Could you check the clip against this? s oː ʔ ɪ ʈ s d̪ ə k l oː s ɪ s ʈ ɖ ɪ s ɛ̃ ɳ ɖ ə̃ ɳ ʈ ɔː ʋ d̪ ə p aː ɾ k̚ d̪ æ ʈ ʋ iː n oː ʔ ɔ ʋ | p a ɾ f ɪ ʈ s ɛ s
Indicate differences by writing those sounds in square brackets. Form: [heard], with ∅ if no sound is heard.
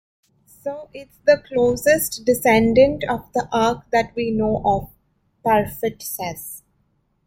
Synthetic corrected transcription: s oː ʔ ɪ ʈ s d̪ ə k l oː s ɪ s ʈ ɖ ɪ s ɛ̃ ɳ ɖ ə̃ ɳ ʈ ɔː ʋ d̪ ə [ʔ] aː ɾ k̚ d̪ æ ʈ ʋ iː n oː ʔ ɔ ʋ | p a ɾ f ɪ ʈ s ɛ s